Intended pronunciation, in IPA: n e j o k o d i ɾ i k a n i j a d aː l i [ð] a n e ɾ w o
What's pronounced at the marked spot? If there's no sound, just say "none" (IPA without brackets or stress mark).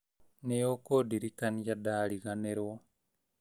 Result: ɣ